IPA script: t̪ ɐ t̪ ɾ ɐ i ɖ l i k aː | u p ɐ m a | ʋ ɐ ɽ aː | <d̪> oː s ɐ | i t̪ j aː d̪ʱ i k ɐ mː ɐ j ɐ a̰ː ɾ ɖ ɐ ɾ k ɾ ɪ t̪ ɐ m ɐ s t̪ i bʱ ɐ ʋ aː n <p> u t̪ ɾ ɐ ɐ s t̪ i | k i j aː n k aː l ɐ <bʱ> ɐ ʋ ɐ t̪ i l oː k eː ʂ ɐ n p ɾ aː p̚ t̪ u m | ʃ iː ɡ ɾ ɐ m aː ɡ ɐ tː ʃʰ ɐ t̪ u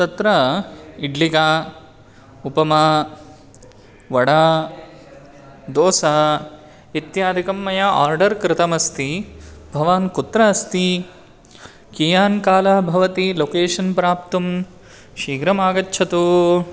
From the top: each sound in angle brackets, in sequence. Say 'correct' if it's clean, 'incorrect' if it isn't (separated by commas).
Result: correct, incorrect, correct